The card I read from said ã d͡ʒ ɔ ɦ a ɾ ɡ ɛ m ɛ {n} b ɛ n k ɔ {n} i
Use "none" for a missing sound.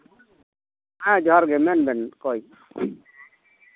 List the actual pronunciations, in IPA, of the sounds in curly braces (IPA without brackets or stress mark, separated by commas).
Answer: n, none